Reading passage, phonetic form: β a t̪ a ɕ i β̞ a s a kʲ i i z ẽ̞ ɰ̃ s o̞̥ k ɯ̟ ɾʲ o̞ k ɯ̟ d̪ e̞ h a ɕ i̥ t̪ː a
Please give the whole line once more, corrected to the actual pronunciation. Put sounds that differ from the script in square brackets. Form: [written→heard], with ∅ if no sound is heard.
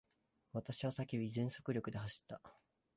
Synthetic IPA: β a t̪ a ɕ i β̞ a s a kʲ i i z ẽ̞ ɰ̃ s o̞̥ k ɯ̟ ɾʲ o̞ k ɯ̟ d̪ e̞ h a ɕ i̥ t̪ː a